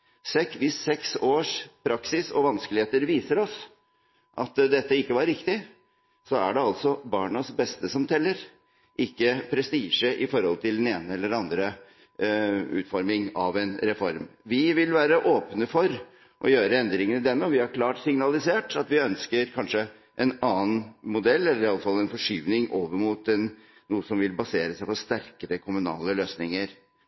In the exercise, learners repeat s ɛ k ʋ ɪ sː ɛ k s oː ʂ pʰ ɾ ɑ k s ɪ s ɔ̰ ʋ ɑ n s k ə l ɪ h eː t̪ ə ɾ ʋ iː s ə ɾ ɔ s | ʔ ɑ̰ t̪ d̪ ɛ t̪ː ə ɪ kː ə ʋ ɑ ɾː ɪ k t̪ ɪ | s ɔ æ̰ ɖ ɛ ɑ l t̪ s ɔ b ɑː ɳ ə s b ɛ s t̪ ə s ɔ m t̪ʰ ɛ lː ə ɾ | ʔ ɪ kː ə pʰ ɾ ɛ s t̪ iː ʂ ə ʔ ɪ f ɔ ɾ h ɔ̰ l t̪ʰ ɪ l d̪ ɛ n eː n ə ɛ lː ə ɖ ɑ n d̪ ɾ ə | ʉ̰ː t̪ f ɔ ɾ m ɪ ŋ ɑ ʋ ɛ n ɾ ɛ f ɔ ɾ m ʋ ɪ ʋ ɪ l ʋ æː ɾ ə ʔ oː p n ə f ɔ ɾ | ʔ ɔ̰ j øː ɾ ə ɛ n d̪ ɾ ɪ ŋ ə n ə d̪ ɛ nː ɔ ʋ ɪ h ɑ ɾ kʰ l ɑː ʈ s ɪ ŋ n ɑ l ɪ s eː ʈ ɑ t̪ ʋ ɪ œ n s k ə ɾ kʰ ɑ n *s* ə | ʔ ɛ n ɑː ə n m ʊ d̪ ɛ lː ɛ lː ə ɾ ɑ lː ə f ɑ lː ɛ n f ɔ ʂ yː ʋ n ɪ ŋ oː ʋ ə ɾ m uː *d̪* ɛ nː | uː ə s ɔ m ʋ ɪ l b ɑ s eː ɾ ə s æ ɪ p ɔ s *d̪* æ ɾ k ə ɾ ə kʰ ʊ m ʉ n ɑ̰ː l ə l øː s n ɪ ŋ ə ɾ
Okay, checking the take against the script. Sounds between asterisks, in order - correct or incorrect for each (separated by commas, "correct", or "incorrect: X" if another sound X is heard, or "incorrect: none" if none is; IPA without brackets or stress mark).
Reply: incorrect: ʂ, incorrect: t̪, incorrect: t̪